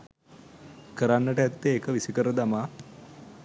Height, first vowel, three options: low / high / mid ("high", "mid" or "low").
mid